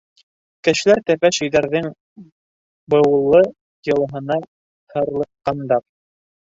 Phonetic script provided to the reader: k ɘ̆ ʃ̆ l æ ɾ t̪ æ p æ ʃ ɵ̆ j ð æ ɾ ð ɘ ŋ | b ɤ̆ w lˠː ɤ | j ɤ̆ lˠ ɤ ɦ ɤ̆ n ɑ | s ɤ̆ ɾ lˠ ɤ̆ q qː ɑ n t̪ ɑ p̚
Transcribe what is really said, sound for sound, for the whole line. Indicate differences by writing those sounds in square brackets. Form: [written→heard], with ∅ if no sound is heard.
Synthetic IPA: k ɘ̆ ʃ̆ l æ ɾ t̪ æ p æ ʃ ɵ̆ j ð æ ɾ ð ɘ ŋ | b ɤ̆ w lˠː ɤ | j ɤ̆ lˠ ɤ ɦ ɤ̆ n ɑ | [s→h] ɤ̆ ɾ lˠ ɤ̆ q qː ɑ n [t̪→d̪] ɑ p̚